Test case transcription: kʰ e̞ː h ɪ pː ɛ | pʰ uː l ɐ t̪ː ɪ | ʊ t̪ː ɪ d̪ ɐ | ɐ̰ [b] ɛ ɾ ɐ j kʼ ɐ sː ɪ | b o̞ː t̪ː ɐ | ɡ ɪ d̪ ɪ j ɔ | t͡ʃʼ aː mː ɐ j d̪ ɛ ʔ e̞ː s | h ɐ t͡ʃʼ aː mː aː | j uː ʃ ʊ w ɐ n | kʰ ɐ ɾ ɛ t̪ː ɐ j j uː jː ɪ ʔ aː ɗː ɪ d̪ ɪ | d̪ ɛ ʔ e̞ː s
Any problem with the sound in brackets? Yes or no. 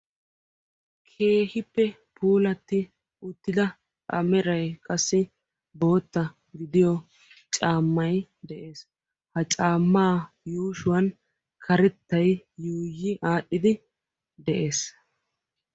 yes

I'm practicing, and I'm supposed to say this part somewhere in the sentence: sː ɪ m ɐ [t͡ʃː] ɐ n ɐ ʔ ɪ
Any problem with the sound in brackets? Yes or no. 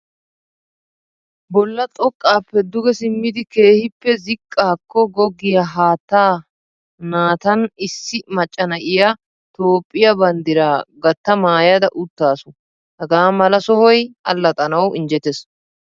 yes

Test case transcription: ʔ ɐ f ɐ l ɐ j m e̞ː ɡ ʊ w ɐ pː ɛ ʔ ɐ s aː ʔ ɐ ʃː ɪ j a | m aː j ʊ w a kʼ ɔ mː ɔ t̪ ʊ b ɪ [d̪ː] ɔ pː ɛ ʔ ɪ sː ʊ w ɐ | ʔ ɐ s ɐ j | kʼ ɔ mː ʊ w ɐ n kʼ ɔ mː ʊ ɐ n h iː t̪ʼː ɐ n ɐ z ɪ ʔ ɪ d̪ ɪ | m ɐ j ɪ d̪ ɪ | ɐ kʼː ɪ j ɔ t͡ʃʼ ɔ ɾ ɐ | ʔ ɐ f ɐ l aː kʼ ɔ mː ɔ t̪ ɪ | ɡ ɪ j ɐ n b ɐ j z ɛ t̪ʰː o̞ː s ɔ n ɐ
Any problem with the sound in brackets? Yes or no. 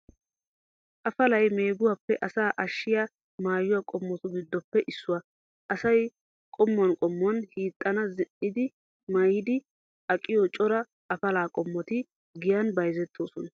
no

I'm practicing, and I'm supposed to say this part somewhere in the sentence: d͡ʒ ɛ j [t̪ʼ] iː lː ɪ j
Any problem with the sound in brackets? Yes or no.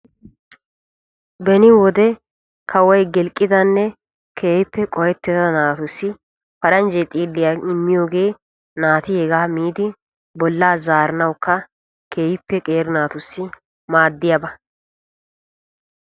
no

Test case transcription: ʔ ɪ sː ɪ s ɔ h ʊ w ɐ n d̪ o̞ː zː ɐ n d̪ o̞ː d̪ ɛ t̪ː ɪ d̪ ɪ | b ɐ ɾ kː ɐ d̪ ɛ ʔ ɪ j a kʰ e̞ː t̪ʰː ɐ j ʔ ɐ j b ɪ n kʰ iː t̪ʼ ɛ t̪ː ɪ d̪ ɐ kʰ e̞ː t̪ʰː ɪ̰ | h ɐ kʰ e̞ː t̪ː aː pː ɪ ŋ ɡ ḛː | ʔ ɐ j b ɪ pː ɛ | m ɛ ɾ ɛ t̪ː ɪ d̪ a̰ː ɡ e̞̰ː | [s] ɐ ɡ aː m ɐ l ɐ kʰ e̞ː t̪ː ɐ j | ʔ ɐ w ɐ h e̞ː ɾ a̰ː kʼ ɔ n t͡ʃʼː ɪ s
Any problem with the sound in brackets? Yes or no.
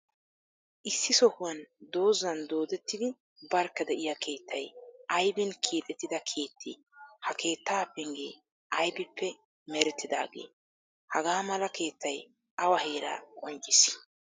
yes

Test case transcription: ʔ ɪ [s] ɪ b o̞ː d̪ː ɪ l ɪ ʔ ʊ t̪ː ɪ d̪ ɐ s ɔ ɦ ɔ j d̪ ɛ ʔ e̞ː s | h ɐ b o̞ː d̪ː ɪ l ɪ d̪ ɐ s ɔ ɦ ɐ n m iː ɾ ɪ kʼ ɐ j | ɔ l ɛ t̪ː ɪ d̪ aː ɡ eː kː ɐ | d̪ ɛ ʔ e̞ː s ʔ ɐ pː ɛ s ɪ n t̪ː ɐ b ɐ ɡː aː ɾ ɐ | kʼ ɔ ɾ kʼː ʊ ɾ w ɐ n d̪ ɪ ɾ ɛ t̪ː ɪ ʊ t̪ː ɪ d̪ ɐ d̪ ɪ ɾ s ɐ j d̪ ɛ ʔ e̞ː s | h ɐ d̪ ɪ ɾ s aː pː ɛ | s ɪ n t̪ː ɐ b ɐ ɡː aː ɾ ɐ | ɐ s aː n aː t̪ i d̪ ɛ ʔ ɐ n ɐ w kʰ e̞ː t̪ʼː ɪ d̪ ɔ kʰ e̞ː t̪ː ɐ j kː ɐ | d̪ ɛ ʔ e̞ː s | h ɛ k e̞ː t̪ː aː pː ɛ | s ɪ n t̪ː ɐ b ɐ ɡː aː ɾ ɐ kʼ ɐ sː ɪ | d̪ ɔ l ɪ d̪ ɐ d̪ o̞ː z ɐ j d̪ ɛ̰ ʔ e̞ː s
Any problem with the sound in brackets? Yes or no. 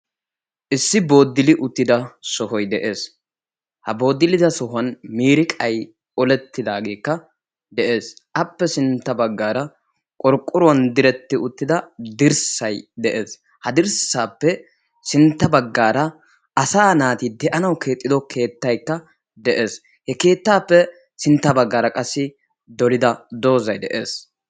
yes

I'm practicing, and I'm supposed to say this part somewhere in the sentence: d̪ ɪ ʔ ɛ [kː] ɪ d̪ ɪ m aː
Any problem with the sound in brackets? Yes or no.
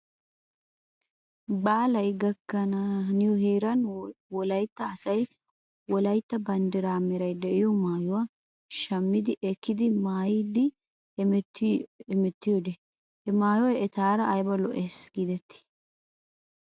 no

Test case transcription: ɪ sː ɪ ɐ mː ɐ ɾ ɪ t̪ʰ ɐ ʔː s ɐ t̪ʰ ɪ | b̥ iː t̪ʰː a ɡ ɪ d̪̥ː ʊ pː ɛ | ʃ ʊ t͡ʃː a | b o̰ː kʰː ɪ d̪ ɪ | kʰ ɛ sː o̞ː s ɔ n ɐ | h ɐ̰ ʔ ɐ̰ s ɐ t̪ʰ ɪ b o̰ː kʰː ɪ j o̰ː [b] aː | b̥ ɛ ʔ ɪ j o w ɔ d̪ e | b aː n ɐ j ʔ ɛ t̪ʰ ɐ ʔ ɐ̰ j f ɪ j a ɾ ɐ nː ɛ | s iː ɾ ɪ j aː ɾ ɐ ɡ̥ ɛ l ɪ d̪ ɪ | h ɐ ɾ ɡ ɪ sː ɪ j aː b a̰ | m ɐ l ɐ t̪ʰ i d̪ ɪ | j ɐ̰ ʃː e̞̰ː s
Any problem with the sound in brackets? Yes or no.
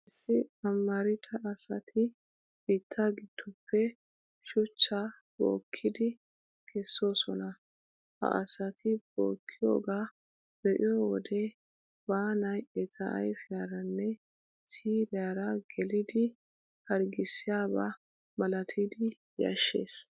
yes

